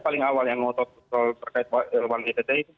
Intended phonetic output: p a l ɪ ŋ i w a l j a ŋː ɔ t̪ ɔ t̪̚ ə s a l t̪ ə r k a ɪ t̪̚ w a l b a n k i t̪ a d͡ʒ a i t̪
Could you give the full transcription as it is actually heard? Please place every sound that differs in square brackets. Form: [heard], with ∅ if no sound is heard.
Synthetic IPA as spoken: p a l ɪ ŋ [a] w a l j a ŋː ɔ t̪ ɔ t̪̚ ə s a l t̪ ə r k a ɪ t̪̚ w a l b a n k i t̪ a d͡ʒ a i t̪